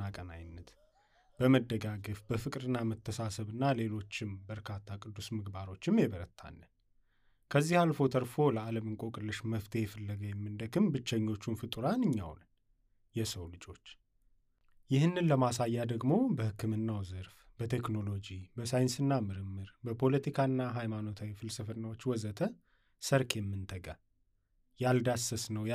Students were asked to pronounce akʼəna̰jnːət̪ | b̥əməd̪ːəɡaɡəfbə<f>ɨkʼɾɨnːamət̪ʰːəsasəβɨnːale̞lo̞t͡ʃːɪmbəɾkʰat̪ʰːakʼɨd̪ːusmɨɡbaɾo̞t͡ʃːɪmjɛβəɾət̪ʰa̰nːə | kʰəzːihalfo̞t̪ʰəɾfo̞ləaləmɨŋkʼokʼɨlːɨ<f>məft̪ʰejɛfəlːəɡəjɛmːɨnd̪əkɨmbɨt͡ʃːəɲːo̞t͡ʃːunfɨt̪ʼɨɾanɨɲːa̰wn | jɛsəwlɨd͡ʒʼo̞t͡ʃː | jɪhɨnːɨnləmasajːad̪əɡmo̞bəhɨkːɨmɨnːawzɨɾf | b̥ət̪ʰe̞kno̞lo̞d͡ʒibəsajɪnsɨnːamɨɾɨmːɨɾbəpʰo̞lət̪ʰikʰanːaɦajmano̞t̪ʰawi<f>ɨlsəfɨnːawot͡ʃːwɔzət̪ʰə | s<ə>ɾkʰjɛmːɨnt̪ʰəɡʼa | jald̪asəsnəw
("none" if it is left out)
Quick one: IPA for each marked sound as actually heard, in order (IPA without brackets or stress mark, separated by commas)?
f, ʃ, f, ə